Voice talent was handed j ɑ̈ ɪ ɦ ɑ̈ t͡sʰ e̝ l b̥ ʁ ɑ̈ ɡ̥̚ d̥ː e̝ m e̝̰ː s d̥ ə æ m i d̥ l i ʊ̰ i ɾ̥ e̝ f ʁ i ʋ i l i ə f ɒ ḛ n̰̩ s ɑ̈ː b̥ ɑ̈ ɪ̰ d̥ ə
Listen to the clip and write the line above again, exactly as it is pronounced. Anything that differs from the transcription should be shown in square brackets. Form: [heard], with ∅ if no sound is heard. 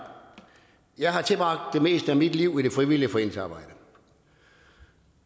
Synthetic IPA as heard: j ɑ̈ ɪ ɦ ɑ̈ t͡sʰ e̝ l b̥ ʁ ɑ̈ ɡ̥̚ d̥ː e̝ m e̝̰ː s d̥ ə æ m i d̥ l i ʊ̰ i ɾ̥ e̝ f ʁ i ʋ i l i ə f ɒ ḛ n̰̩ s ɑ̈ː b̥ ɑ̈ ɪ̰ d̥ ə

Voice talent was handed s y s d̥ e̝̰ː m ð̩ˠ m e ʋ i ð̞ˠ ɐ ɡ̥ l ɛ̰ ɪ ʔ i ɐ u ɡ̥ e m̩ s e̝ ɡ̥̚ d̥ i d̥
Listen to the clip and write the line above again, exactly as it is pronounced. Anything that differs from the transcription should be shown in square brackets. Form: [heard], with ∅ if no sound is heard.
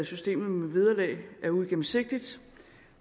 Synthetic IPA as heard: s y s d̥ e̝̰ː m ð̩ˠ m e ʋ i ð̞ˠ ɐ [∅] l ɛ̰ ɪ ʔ [æ] ɐ u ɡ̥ e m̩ s e̝ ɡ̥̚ d̥ i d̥

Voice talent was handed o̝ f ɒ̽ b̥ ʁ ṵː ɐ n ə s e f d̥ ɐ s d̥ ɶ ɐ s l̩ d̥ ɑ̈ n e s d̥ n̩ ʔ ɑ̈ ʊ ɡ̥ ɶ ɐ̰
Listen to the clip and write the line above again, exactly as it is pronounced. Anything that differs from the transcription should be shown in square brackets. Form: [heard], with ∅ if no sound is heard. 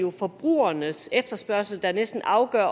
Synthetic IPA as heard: o̝ f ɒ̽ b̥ ʁ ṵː ɐ n ə s e f d̥ ɐ s [b̥] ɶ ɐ s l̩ d̥ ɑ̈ n e s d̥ n̩ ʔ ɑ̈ ʊ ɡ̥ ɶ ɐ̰

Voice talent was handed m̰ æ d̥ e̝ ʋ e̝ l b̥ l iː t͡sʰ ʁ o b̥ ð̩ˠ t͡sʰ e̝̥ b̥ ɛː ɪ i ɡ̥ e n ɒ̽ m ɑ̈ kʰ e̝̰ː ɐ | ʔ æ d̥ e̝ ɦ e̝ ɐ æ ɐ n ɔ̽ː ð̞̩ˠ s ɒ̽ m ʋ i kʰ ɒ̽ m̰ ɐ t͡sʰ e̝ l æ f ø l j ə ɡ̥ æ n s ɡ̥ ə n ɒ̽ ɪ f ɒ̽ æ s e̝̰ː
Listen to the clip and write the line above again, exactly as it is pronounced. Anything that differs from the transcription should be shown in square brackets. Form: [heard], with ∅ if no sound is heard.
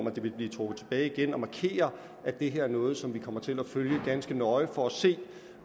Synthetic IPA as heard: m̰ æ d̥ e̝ ʋ e̝ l b̥ l iː t͡sʰ ʁ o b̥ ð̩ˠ t͡sʰ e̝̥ b̥ ɛː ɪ i ɡ̥ e n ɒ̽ m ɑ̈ kʰ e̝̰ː ɐ | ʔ æ d̥ e̝ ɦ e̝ ɐ æ ɐ n ɔ̽ː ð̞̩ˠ s ɒ̽ m ʋ i kʰ ɒ̽ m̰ ɐ t͡sʰ e̝ l æ f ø l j ə ɡ̥ æ n s ɡ̥ ə n ɒ̽ ɪ f ɒ̽ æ s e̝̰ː

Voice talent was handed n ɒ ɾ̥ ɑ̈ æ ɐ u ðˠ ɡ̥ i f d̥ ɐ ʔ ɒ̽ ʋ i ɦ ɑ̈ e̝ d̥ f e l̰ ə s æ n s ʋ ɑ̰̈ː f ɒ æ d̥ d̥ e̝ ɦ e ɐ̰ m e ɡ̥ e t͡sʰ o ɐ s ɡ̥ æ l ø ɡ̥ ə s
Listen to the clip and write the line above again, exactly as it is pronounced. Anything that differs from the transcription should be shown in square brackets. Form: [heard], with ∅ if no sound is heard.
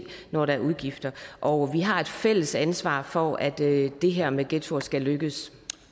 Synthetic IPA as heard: n ɒ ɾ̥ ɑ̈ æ ɐ u ðˠ ɡ̥ i f d̥ ɐ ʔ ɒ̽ ʋ i ɦ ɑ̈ e̝ d̥ f e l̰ ə s æ n s ʋ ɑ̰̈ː f ɒ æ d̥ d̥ e̝ ɦ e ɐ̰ m e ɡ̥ e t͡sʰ o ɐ s ɡ̥ æ l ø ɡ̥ ə s

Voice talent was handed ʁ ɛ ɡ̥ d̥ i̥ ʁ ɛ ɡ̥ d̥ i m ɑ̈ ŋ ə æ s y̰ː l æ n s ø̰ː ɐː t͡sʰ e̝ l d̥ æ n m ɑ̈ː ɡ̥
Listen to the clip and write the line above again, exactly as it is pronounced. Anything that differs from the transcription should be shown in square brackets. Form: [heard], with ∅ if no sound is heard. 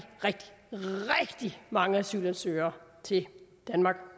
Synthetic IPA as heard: ʁ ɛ ɡ̥ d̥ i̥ ʁ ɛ ɡ̥ d̥ i m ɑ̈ ŋ ə æ s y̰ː l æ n s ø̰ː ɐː t͡sʰ e̝ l d̥ æ n m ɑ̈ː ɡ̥

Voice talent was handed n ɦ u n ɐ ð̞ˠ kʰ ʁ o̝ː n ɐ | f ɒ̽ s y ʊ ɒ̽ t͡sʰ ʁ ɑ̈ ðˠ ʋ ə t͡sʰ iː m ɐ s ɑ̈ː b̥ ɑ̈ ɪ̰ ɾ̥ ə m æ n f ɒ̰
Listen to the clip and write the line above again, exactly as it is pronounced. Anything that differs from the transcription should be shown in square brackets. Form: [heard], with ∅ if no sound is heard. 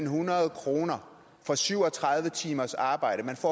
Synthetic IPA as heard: n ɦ u n ɐ ð̞ˠ kʰ ʁ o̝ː n ɐ | f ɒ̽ s y ʊ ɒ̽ t͡sʰ ʁ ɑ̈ ðˠ ʋ ə t͡sʰ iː m ɐ s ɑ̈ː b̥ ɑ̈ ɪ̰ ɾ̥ ə m æ n f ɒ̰

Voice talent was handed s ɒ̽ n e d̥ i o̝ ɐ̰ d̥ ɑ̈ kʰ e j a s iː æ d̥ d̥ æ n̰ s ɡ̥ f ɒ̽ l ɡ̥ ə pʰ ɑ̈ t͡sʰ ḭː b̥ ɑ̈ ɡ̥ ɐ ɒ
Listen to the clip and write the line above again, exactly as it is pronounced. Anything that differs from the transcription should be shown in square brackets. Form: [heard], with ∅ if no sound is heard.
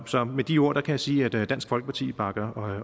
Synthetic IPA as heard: s ɒ̽ [m] e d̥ i o̝ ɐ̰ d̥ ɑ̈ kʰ [æ] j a s iː æ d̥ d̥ æ n̰ s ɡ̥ f ɒ̽ l ɡ̥ ə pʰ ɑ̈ t͡sʰ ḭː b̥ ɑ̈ ɡ̥ ɐ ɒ

